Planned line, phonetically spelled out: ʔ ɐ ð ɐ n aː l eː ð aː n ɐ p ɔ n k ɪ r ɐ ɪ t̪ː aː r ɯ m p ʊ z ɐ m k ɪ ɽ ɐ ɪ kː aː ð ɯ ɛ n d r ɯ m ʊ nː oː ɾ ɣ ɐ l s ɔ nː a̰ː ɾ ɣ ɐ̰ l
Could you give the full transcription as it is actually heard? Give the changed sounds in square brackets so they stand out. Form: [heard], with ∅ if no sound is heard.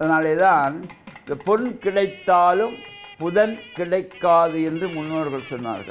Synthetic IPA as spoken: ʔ ɐ ð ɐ n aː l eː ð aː n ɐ p ɔ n k ɪ [ɽ] ɐ ɪ t̪ː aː [l] ɯ m p ʊ [ð] ɐ [n] k ɪ ɽ ɐ ɪ kː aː ð ɯ ɛ n d r ɯ m ʊ nː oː ɾ ɣ ɐ [ɭ] s ɔ nː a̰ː ɾ ɣ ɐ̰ [ɭ]